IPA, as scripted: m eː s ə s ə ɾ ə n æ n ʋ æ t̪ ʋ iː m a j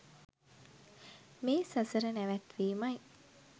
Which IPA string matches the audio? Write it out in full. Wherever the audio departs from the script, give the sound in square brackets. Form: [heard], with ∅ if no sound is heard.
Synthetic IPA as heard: m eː s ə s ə ɾ ə n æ [∅] ʋ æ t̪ ʋ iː m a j